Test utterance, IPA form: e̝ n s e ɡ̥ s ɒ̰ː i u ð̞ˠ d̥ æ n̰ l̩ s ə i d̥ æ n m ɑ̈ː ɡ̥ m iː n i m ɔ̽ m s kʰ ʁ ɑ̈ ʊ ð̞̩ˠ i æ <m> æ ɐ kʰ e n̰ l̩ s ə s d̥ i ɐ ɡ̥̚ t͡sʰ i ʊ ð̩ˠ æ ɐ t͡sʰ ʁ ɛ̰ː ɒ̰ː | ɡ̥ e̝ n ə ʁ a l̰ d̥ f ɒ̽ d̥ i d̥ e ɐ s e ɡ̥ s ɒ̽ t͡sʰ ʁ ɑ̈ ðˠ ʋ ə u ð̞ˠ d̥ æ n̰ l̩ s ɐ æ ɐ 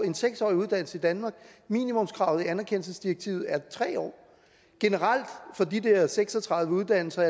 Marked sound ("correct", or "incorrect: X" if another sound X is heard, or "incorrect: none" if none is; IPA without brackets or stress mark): incorrect: n